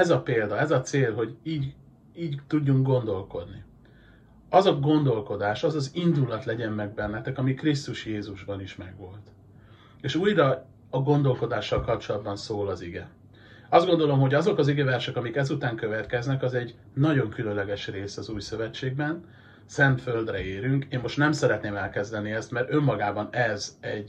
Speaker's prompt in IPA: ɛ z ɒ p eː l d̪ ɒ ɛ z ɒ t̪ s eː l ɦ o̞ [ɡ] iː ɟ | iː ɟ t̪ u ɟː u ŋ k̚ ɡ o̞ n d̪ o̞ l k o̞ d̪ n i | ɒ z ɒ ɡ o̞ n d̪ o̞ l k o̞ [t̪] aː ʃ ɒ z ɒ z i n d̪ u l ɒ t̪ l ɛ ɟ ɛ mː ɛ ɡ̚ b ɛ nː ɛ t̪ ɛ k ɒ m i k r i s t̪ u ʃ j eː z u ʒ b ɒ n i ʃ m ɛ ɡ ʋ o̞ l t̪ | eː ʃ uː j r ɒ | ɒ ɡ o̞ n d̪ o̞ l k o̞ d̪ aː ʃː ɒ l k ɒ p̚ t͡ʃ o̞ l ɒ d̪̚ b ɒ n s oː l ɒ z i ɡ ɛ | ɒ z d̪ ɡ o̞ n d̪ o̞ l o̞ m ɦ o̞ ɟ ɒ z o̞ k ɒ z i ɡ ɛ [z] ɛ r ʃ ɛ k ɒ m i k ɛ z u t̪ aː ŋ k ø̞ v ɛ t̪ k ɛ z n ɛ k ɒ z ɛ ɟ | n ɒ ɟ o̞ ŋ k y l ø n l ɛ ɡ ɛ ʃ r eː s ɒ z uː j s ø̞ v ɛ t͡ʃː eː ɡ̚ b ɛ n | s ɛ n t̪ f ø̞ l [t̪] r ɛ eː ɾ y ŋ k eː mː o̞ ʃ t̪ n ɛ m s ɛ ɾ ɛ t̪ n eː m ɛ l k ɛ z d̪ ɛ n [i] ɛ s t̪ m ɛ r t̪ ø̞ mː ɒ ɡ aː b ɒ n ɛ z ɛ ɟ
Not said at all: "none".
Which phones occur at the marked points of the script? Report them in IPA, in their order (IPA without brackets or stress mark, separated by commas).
ɟ, d̪, v, d̪, i